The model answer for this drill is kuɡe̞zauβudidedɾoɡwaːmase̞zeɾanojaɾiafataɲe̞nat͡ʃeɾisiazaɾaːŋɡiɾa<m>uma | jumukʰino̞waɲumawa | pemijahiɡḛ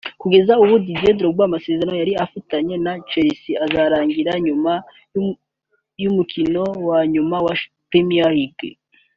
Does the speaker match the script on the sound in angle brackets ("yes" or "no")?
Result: no